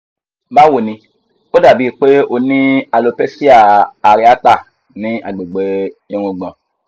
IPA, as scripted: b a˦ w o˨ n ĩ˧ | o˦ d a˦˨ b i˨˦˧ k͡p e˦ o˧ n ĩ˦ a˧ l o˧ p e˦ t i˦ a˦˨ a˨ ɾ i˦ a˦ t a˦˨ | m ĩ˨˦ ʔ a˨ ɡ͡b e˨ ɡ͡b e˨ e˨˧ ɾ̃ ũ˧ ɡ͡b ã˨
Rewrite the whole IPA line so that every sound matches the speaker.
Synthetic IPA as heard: b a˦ w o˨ n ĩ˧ | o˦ d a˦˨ b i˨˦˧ k͡p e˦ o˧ n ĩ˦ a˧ l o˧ p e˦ s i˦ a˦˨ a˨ ɾ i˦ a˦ t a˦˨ | n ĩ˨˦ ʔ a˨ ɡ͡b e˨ ɡ͡b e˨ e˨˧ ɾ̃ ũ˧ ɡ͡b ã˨